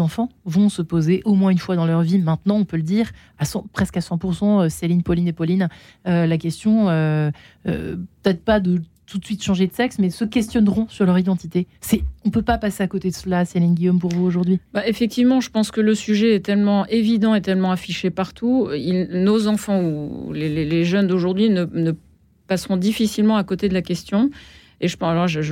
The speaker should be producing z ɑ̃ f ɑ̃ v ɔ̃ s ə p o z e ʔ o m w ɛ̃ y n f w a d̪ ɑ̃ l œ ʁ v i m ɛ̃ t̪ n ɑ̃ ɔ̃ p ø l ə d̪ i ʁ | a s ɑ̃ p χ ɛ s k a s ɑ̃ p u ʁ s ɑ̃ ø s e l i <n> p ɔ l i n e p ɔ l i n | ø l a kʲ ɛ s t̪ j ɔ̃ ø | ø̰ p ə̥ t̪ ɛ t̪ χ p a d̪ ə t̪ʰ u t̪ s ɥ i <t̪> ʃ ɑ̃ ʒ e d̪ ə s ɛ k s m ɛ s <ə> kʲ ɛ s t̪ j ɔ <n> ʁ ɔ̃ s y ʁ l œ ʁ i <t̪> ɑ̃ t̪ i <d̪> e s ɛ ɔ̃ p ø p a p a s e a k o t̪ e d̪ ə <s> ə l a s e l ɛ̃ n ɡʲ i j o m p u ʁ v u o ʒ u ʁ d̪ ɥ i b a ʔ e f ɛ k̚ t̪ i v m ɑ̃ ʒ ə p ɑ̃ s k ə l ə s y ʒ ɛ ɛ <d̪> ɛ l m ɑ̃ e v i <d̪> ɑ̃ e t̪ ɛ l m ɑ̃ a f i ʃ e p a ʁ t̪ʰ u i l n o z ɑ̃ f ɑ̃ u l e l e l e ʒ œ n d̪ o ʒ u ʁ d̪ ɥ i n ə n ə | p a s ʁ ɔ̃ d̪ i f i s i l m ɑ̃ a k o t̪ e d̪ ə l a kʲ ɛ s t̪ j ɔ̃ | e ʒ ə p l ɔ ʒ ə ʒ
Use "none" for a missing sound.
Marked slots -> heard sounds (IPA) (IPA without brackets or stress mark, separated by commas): n, t̪, ə, n, d̪, t̪, s, t̪, d̪